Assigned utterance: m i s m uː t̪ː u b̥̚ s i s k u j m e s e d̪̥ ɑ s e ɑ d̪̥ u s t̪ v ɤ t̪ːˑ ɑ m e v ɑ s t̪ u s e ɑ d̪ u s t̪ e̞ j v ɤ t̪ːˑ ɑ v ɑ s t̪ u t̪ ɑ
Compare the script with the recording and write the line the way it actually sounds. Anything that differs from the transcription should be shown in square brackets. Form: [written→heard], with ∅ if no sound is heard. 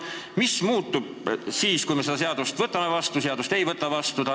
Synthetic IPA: m i s m uː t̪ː u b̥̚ s [i→iː] s k u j m e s e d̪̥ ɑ s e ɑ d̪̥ u s t̪ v ɤ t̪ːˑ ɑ m e v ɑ s t̪ u s e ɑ d̪ u s t̪ e̞ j v ɤ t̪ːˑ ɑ v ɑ s t̪ u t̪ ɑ